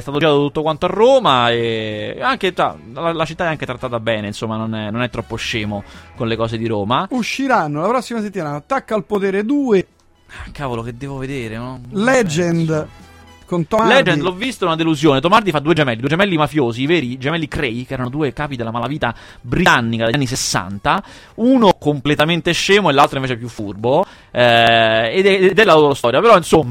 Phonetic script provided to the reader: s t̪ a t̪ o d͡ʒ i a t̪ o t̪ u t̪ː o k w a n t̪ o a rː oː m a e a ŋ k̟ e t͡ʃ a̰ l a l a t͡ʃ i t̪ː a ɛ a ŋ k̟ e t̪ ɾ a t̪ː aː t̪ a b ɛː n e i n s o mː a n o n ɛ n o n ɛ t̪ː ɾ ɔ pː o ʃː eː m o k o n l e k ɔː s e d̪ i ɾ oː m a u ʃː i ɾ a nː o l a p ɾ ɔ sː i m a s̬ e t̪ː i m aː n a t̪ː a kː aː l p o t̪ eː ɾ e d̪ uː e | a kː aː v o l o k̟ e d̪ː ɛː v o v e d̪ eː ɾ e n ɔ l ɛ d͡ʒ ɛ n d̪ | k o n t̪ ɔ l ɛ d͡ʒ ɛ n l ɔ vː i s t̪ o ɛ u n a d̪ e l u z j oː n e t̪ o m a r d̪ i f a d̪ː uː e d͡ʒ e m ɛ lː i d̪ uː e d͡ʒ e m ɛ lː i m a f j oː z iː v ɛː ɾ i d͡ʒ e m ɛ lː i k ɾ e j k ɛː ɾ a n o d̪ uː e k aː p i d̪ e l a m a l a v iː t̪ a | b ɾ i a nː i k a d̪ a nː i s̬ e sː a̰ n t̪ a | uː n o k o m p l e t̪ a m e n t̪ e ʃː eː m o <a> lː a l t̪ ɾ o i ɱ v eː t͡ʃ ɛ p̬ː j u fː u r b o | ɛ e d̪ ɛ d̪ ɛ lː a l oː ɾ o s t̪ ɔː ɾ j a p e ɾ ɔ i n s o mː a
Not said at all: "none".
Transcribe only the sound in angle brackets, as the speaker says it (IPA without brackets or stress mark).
e